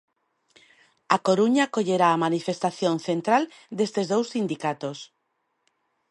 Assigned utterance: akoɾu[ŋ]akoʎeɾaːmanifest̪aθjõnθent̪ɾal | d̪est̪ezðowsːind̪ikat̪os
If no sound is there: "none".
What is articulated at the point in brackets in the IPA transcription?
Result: ɲ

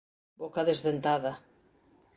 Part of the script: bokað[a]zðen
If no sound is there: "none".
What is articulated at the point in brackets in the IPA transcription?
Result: e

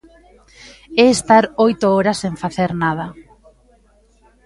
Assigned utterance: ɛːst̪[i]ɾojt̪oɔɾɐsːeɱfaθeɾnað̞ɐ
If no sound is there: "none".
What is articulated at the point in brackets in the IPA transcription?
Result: a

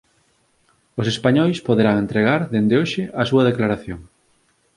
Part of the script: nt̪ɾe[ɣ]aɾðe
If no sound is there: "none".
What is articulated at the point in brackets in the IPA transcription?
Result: ɣ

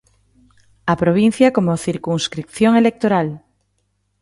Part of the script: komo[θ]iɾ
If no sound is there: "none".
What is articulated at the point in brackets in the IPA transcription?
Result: θ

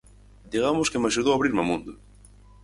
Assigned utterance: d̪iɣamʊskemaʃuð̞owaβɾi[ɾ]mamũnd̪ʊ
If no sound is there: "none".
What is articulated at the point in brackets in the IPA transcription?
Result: ɾ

